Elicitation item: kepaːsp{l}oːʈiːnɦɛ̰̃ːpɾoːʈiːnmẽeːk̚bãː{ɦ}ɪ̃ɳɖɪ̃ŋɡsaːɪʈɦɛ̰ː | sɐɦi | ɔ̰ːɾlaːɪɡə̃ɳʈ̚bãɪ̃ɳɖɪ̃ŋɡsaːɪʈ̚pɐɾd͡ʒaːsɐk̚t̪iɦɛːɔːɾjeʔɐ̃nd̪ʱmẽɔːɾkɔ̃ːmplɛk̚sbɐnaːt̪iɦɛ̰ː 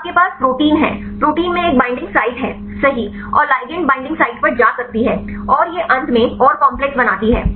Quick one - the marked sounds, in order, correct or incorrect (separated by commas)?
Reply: incorrect, incorrect